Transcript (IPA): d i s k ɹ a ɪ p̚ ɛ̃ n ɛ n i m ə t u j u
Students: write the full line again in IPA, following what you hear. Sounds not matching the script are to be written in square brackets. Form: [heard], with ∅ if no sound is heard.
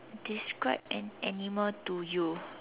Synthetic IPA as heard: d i s k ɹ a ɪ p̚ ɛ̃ n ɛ n i m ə t u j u